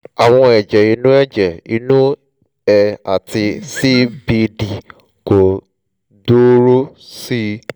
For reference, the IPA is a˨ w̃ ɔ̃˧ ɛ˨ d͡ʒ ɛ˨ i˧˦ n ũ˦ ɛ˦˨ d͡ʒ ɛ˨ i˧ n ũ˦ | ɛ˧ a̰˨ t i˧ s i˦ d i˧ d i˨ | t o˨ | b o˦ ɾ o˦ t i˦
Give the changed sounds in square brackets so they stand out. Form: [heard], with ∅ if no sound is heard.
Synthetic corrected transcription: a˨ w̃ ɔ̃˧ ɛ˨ d͡ʒ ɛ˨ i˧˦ n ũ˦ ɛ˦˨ d͡ʒ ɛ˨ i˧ n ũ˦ | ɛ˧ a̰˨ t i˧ s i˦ [b] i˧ d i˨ | [k] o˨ | [d] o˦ ɾ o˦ [s] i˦